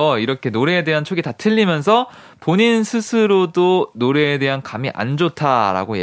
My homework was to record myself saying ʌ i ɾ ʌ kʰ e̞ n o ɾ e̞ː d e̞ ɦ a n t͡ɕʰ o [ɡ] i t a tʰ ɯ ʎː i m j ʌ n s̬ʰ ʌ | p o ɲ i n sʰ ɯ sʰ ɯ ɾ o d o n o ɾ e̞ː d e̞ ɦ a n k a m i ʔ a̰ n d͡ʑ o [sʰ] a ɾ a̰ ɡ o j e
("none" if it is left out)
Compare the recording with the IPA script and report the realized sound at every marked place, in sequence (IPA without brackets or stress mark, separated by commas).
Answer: ɡ, tʰ